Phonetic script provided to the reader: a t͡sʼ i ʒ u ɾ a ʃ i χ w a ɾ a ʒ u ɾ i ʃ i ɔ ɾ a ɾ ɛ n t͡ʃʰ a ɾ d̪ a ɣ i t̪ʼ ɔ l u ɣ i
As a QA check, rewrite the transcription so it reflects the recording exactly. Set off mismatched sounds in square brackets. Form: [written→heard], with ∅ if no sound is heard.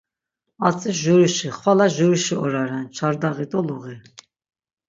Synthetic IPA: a t͡sʼ i ʒ u ɾ [a→i] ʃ i χ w a [ɾ→l] a ʒ u ɾ i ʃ i ɔ ɾ a ɾ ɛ n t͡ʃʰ a ɾ d̪ a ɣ i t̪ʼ ɔ l u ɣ i